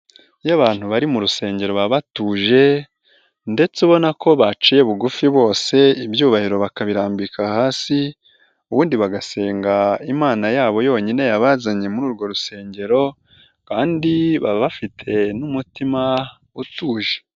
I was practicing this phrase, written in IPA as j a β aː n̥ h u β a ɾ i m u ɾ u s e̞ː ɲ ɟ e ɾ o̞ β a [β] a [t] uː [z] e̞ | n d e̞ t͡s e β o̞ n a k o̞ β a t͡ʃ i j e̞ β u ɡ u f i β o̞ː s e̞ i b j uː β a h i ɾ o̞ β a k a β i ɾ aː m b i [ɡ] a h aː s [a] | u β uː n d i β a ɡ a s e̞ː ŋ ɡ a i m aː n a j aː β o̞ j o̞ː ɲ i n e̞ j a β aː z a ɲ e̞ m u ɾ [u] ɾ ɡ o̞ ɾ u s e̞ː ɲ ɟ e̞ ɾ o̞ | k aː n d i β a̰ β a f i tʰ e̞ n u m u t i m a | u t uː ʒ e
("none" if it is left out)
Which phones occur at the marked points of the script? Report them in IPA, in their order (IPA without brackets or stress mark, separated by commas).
β, t, ʒ, k, i, uː